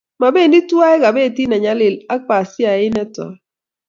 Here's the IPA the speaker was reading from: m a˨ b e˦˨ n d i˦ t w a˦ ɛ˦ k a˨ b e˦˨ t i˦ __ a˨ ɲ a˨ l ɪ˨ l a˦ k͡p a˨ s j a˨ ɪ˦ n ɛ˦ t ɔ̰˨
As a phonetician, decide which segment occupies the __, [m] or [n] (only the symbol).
n